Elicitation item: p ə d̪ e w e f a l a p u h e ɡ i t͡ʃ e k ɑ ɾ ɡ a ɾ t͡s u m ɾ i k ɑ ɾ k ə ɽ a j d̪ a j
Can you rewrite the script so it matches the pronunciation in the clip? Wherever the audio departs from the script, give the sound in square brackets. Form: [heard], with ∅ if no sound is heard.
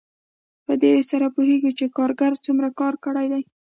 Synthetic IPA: p ə d̪ e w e [s] a [ɾ] a p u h e ɡ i t͡ʃ e k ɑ ɾ ɡ a ɾ t͡s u m ɾ [a] k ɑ ɾ k ə ɽ a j d̪ a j